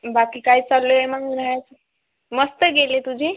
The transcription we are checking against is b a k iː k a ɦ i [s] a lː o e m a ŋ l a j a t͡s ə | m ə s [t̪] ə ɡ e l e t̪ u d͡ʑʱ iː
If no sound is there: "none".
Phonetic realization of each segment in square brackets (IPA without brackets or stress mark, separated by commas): t͡s, t̪